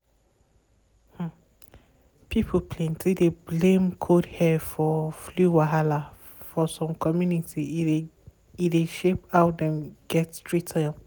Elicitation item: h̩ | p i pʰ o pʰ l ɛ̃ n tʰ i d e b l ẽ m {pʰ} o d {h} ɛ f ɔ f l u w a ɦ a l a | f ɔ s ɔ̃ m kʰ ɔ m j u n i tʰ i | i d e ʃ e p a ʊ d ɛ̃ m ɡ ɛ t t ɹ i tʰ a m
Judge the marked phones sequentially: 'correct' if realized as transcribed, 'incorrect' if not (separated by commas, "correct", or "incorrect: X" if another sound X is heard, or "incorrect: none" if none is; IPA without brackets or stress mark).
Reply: incorrect: kʰ, correct